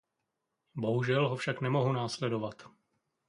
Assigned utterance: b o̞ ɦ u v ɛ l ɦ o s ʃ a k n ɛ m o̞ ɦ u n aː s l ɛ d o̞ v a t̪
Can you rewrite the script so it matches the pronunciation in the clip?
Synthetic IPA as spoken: b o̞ ɦ u ʒ ɛ l ɦ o f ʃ a k n ɛ m o̞ ɦ u n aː s l ɛ d o̞ v a t̪